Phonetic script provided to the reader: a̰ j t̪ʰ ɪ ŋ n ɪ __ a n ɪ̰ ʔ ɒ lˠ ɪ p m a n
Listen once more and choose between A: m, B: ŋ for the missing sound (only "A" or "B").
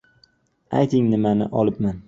A